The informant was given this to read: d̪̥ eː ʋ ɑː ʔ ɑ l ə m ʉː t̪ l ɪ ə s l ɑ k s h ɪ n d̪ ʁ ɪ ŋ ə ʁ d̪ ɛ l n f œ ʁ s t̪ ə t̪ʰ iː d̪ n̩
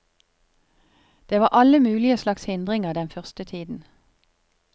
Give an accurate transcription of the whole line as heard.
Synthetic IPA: d̪̥ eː ʋ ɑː ʔ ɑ l ə m ʉː l ɪ ə s l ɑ k s h ɪ n d̪ ʁ ɪ ŋ ə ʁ d̪ ɛ n f œ ʁ s t̪ ə t̪ʰ iː d̪ n̩